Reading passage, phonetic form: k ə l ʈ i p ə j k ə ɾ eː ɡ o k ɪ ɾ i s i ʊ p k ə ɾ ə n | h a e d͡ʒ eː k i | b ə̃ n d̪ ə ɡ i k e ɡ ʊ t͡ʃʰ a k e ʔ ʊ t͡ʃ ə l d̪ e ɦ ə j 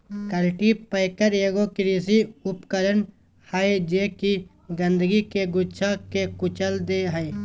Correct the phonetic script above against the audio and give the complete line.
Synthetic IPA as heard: k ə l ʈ i p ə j k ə ɾ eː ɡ o k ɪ ɾ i s i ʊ p k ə ɾ ə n | h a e d͡ʒ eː k i | ɡ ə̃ n d̪ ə ɡ i k e ɡ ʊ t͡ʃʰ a k e k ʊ t͡ʃ ə l d̪ e ɦ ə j

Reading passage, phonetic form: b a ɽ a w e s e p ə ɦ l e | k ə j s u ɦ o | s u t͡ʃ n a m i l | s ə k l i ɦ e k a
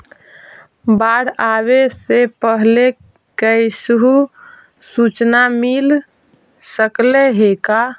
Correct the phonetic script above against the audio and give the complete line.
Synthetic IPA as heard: b a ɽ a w e s e p ə ɦ l e | k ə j s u ɦ u | s u t͡ʃ n a m i l | s ə k l e ɦ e k a

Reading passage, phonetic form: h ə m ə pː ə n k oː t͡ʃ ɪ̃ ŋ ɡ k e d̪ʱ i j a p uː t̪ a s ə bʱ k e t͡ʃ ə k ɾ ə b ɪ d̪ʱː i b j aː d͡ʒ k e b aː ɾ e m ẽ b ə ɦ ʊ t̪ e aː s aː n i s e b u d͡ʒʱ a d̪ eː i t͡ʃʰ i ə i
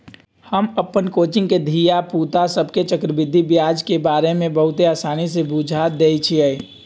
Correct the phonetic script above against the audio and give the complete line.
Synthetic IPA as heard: h ə m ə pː ə n k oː t͡ʃ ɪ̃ ŋ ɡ k e d̪ʱ i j a p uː t̪ a s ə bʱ k e t͡ʃ ə k ɾ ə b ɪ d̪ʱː i b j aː d͡ʒ k e b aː ɾ e m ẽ b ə ɦ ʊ t̪ e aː s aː n i s e b u d͡ʒʱ a d̪ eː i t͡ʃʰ i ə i

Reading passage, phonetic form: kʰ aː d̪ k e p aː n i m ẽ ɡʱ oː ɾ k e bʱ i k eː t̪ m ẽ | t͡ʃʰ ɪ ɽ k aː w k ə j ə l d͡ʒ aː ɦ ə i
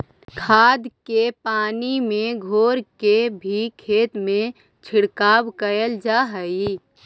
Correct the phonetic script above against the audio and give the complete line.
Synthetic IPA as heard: kʰ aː d̪ k e p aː n i m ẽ ɡʱ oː ɾ k e bʱ i kʰ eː t̪ m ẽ | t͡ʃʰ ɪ ɽ k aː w k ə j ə l d͡ʒ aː ɦ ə i

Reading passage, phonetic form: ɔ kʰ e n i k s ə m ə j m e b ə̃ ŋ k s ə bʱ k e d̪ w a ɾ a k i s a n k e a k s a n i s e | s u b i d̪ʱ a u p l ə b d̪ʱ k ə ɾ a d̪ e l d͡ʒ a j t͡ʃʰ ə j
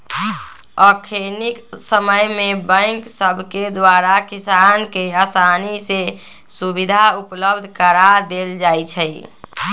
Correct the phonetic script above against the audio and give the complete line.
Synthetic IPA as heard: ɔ kʰ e n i k s ə m ə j m e b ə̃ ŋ k s ə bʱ k e d̪ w a ɾ a k i s a n k e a s a n i s e | s u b i d̪ʱ a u p l ə b d̪ʱ k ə ɾ a d̪ e l d͡ʒ a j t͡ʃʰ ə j

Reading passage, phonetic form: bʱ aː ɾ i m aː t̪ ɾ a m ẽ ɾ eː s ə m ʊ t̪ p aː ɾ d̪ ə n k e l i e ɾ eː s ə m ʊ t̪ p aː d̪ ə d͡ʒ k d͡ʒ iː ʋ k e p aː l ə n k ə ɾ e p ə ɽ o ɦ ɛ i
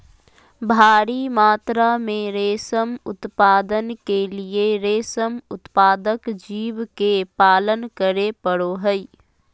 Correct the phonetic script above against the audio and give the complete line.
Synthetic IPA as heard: bʱ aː ɾ i m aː t̪ ɾ a m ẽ ɾ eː s ə m ʊ t̪ p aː d̪ ə n k e l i e ɾ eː s ə m ʊ t̪ p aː d̪ ə k d͡ʒ iː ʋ k e p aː l ə n k ə ɾ e p ə ɽ o ɦ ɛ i

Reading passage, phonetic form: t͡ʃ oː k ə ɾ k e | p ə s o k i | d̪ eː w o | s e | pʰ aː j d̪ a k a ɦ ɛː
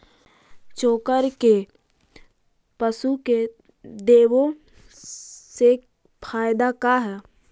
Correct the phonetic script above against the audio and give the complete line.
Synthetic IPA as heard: t͡ʃ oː k ə ɾ k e | p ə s u k e | d̪ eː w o | s e | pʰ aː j d̪ a k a ɦ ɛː

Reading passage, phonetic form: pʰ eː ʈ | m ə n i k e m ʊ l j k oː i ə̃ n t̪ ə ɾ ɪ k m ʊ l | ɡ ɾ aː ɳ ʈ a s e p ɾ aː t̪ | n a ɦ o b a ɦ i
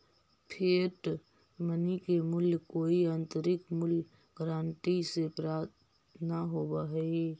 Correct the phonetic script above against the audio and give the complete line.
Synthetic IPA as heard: pʰ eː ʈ | m ə n i k e m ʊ l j k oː i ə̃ n t̪ ə ɾ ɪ k m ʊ l | ɡ ɾ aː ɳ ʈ i s e p ɾ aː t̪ | n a ɦ o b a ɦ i

